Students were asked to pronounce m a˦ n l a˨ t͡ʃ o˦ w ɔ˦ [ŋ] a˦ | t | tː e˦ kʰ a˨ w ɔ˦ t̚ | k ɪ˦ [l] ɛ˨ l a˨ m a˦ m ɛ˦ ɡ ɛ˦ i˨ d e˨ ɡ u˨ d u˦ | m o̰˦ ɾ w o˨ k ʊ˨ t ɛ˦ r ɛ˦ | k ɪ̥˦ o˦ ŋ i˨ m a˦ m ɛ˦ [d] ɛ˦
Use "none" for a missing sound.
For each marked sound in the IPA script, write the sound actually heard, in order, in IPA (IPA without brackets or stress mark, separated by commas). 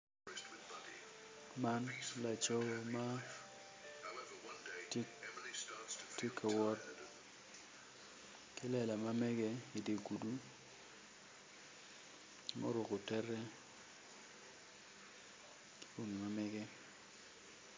m, l, ɡ